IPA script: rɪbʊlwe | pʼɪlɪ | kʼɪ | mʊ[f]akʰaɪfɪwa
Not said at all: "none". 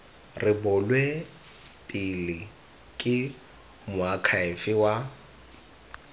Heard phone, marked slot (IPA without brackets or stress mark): none